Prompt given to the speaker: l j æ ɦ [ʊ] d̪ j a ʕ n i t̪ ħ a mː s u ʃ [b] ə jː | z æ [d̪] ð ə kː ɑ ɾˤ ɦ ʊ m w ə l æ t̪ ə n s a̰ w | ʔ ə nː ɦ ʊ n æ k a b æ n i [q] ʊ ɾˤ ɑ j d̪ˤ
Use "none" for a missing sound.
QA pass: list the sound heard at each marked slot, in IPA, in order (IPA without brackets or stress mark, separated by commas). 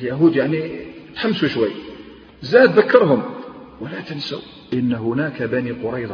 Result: u, w, d̪, q